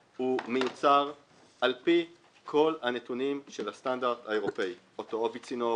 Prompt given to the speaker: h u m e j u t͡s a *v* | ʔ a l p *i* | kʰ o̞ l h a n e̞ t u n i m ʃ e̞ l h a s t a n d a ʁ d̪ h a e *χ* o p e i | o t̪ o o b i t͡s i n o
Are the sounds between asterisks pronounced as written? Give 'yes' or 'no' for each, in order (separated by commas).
no, yes, no